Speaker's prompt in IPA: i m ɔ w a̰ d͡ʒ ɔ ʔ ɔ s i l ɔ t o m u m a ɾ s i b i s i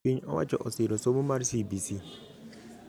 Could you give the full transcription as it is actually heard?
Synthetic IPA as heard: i ɲ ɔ w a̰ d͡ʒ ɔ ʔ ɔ s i ɾ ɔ s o m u m a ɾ s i b i s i